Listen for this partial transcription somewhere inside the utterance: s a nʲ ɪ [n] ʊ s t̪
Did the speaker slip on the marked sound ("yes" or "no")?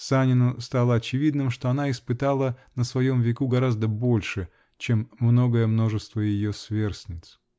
no